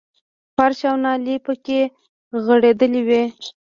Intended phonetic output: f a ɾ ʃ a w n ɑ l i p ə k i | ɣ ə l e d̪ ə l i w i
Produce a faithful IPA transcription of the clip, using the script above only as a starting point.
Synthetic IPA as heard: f a ɾ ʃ a w n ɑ l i p ə k e | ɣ ə ɽ e d̪ ə l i w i